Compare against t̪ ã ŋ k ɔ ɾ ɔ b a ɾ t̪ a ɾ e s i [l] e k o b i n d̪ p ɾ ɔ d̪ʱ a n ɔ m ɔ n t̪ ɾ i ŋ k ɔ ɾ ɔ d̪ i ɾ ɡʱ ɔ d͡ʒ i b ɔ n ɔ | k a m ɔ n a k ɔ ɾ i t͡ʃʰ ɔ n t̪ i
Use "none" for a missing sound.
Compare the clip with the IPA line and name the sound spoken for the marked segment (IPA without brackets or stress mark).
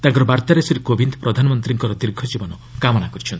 ɾ